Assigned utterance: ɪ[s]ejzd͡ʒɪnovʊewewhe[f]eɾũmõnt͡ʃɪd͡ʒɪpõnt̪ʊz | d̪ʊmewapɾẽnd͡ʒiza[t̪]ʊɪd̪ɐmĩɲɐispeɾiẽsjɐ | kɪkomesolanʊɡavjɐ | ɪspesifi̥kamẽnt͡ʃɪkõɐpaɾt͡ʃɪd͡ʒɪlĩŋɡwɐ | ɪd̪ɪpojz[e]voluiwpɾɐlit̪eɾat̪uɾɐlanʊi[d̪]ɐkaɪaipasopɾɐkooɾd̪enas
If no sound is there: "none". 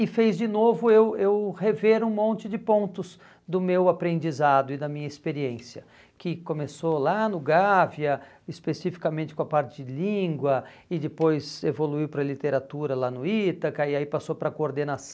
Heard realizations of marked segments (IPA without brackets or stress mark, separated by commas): f, v, d̪, e, t̪